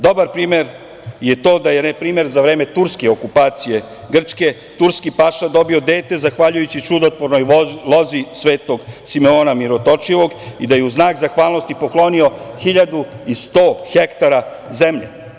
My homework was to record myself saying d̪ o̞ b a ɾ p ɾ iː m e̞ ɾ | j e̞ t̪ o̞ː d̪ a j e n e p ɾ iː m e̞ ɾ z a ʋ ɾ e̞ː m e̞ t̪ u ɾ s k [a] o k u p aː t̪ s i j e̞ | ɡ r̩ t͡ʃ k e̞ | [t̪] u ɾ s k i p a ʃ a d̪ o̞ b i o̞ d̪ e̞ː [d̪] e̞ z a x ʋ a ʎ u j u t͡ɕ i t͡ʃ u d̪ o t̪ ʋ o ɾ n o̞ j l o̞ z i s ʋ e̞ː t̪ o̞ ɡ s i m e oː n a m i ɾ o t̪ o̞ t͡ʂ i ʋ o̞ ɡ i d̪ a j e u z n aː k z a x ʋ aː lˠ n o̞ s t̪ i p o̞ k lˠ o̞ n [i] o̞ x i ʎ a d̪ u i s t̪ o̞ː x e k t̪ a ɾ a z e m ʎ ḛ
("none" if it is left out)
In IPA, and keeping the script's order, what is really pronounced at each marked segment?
e, t̪, t̪, i

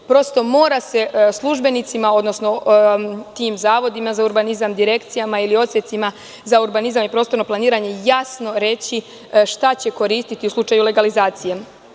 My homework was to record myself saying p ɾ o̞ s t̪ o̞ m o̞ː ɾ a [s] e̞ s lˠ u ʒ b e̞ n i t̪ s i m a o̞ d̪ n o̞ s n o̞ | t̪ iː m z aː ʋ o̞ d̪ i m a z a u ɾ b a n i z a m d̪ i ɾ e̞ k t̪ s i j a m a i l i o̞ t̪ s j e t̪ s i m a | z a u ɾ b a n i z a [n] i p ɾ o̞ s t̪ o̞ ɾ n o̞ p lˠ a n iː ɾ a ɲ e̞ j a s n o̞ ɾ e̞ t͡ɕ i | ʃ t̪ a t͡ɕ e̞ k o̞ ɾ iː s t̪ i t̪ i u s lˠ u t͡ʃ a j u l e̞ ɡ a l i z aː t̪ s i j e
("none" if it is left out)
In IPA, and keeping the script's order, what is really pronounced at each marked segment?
s, m

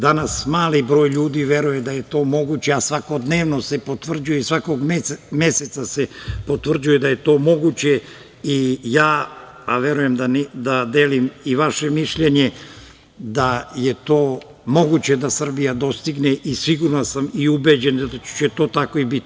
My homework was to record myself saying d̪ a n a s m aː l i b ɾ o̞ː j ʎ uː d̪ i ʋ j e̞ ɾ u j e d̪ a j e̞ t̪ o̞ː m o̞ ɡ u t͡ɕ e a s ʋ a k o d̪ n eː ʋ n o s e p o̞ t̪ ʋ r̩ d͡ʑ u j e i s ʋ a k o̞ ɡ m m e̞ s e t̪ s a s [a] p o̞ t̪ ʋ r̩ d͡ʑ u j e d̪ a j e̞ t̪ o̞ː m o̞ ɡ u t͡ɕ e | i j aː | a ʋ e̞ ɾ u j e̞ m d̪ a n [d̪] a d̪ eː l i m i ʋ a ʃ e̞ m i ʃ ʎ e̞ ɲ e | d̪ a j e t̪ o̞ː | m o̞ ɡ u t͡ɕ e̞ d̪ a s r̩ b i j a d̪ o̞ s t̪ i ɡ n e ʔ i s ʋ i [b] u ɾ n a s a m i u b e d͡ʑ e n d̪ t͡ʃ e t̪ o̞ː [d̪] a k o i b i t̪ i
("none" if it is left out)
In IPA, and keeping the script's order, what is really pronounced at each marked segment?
e, d̪, ɡ, t̪

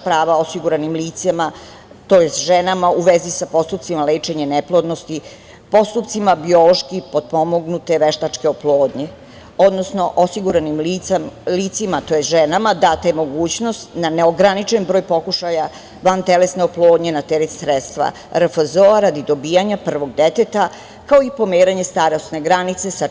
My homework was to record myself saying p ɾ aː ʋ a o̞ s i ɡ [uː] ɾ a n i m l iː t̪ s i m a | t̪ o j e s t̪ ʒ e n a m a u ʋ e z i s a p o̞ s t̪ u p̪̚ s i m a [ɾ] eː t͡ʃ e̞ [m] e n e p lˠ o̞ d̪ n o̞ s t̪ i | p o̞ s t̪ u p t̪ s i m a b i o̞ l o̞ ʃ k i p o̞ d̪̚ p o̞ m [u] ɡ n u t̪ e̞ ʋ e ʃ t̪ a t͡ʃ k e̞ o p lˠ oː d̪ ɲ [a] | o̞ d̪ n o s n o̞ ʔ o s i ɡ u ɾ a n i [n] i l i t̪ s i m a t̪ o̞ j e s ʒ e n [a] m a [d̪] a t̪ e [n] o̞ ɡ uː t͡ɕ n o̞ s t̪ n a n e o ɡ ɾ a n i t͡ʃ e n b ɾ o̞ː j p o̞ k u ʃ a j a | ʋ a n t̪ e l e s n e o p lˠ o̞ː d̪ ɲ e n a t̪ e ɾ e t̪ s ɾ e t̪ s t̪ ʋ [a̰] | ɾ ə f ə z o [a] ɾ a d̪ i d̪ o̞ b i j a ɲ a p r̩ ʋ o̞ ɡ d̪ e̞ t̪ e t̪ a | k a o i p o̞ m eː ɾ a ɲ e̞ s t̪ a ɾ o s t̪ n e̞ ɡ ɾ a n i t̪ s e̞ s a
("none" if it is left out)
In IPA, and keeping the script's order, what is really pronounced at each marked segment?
u, l, ɲ, o, e, m, a, d̪, m, a̰, a

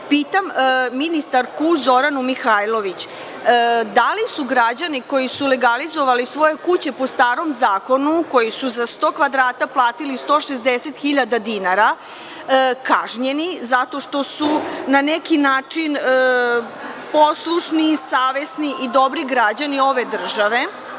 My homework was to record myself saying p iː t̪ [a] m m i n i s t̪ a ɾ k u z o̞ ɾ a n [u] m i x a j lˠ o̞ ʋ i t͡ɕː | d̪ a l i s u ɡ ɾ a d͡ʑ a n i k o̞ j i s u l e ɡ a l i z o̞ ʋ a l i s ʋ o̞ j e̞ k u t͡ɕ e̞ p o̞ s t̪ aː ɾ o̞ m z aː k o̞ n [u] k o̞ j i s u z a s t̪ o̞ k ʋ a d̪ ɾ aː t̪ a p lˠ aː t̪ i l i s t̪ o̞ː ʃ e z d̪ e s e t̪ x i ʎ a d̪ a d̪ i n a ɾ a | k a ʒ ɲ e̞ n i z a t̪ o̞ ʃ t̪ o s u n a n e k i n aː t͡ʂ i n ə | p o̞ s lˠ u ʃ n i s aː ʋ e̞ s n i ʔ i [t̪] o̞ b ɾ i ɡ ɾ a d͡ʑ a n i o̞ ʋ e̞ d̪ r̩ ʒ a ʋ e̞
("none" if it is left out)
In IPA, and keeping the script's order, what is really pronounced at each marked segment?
a, u, u, d̪

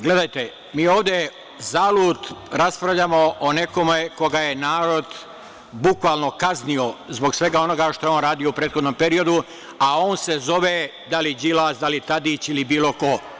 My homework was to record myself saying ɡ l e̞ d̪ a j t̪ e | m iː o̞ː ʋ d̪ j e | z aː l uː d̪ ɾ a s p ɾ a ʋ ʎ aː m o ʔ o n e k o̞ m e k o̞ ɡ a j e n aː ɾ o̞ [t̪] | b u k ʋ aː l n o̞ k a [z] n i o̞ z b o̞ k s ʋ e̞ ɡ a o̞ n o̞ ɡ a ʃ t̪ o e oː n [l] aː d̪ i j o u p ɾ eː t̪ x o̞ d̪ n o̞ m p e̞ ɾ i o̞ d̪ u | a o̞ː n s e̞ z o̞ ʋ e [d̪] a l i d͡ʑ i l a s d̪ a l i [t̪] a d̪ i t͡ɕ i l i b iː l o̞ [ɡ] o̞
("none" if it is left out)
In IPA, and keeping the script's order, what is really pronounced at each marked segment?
d̪, z, ɾ, d̪, t̪, k

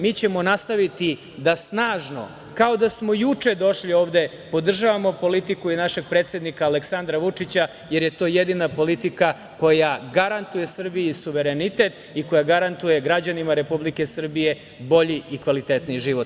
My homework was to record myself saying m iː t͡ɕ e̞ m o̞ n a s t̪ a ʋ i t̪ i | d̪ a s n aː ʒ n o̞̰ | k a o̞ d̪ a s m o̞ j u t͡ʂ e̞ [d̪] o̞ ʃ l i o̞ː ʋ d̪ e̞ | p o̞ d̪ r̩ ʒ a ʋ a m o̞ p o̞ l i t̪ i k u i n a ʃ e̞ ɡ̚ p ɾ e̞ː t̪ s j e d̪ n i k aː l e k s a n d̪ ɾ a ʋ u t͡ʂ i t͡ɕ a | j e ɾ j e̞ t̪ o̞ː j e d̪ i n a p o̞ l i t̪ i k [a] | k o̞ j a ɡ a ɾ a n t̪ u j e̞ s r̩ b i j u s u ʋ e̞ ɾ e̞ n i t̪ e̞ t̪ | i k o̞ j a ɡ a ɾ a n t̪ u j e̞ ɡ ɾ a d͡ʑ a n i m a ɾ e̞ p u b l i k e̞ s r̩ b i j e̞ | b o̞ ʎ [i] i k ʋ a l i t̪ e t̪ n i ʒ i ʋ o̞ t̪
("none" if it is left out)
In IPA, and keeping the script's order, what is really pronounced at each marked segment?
d̪, a, i

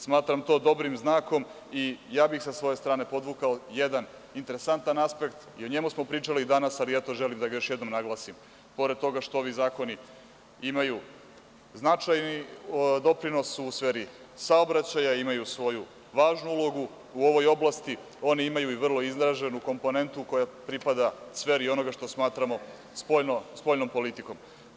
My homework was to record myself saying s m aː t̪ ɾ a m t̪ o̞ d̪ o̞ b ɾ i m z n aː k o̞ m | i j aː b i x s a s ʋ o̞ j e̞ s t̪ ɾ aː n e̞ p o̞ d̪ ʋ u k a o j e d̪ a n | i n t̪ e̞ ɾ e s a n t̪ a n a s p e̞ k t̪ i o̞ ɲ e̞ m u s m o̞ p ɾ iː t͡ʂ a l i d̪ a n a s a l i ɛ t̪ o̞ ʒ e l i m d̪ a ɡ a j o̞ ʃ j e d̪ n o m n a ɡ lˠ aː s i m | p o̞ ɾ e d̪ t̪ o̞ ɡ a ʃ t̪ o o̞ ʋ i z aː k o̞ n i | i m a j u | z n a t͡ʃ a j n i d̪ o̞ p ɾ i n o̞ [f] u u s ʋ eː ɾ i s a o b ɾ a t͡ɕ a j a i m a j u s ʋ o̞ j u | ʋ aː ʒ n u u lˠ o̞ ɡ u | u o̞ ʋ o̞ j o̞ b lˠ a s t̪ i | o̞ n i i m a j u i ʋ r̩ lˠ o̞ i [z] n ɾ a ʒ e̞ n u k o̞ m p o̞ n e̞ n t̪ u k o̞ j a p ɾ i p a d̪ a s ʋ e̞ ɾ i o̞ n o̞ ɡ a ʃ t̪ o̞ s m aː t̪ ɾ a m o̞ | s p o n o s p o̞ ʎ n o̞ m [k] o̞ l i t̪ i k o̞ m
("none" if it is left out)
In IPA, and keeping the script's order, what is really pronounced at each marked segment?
s, z, p

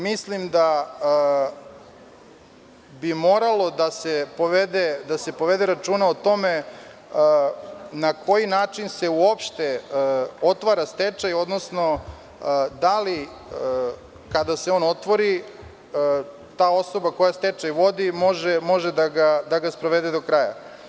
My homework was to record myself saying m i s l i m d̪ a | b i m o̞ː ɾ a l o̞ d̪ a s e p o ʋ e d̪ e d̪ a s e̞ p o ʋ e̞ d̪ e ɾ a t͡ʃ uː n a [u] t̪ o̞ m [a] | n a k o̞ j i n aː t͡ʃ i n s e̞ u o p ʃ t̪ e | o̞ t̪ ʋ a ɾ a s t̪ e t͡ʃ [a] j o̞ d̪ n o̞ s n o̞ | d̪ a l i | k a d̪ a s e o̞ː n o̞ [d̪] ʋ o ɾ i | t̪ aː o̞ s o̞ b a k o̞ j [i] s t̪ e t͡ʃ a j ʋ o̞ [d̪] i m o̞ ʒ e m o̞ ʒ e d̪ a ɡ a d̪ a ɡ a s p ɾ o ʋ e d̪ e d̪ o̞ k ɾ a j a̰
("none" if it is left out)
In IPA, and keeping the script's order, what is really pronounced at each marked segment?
o, e, a, t̪, a, d̪

